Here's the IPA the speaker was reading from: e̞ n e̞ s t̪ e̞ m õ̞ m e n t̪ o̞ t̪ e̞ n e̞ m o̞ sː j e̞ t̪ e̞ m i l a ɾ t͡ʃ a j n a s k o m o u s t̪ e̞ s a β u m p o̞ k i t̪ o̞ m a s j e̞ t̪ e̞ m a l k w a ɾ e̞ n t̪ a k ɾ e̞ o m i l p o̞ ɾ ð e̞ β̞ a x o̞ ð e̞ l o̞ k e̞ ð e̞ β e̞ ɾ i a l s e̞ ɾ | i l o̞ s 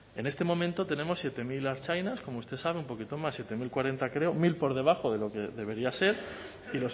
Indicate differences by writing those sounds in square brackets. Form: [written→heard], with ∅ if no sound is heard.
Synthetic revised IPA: e̞ n e̞ s t̪ e̞ m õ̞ m [e→ẽ] n t̪ o̞ t̪ e̞ n e̞ m o̞ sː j e̞ t̪ e̞ m i l a ɾ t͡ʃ a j n a s k o m o u s t̪ e̞ s a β u m p o̞ k i t̪ o̞ m a s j e̞ t̪ e̞ m [a→i] l k w a ɾ e̞ n t̪ a k ɾ e̞ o m i l p o̞ ɾ ð e̞ β̞ a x o̞ ð e̞ l o̞ k e̞ ð e̞ β e̞ ɾ i a [l→∅] s e̞ ɾ | i l o̞ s